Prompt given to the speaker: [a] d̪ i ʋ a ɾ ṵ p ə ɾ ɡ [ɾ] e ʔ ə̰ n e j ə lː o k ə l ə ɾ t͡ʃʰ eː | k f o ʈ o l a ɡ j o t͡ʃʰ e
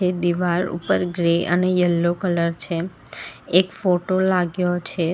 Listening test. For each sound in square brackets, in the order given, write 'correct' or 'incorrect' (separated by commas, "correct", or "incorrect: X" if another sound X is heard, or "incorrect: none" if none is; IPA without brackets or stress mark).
incorrect: e, correct